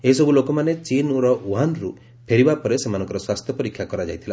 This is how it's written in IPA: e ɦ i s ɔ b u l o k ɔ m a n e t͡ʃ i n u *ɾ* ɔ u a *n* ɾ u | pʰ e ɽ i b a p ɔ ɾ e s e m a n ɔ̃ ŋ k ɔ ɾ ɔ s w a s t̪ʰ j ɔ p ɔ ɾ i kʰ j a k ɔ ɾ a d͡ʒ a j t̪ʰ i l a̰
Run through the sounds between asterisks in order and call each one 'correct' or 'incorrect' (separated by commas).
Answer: correct, correct